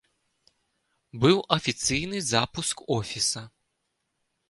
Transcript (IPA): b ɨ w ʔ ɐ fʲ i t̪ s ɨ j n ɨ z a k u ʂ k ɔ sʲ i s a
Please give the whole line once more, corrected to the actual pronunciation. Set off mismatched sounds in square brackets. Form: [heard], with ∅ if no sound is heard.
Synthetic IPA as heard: b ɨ w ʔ ɐ fʲ i t̪ s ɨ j n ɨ z a [p] u [s] k ɔ [fʲ] i s [ɐ]